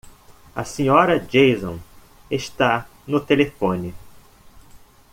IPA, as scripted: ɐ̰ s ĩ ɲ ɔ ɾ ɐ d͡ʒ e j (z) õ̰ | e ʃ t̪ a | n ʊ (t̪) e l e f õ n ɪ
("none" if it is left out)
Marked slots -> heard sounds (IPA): z, t̪

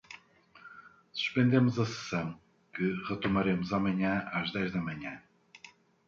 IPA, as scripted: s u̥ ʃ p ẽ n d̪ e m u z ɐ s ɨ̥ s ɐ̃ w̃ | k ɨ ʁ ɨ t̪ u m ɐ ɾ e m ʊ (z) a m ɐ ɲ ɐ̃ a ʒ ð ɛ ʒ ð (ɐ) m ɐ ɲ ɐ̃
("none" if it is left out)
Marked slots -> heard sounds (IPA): z, ɐ

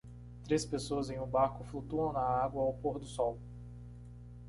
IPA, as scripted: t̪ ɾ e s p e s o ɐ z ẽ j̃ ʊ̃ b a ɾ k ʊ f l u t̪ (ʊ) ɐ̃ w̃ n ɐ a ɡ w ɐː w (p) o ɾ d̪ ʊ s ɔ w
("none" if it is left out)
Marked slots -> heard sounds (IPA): u, p

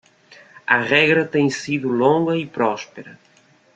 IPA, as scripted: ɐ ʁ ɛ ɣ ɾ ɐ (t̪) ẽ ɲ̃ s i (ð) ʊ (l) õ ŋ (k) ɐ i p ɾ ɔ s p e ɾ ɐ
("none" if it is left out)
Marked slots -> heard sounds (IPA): t̪, ð, l, ɡ

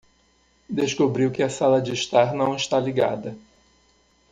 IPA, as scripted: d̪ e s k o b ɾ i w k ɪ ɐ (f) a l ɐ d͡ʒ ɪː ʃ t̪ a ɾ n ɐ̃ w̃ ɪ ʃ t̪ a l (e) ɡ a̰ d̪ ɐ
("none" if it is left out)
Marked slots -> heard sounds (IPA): s, i

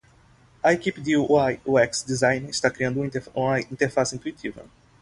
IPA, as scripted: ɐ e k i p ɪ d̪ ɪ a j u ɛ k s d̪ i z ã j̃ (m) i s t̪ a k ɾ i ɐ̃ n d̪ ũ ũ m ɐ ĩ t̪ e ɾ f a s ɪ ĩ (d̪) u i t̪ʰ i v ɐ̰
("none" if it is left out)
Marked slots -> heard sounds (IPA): n, t̪

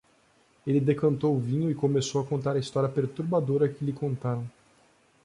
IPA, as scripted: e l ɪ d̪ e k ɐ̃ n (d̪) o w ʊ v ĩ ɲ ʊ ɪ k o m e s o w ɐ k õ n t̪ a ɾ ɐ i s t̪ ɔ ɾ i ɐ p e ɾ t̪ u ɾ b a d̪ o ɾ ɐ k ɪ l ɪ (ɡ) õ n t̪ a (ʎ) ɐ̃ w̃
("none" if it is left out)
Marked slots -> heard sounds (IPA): t̪, k, ɾ

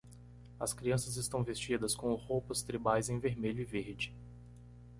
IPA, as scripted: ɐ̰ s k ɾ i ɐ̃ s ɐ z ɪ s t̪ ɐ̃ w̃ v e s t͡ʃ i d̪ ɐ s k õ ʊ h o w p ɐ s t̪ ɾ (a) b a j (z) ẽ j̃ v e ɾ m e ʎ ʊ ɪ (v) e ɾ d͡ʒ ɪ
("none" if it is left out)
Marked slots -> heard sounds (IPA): i, z, v

